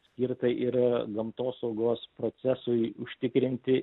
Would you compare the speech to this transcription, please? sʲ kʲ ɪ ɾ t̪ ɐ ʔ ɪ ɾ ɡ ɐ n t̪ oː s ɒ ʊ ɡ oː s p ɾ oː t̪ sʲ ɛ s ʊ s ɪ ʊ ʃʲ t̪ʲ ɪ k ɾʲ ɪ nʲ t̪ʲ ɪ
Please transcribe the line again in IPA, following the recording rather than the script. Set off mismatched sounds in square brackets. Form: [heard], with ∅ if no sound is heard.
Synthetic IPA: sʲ kʲ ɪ ɾ t̪ ɐ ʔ ɪ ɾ ɡ ɐ [m] t̪ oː s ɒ ʊ ɡ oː s p ɾ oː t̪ sʲ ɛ s ʊ [∅] ɪ ʊ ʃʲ t̪ʲ ɪ k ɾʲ ɪ nʲ t̪ʲ ɪ